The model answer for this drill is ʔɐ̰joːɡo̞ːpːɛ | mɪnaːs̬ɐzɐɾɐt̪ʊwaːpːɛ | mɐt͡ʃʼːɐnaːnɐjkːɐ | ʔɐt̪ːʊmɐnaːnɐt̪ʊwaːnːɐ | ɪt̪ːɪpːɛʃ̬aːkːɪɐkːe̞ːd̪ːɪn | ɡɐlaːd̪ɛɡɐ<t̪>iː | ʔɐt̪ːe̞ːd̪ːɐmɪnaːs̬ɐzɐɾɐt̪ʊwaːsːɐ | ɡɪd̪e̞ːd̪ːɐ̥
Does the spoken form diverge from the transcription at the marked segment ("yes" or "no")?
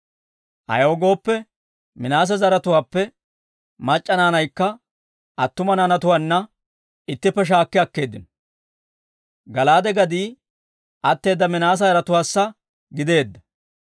yes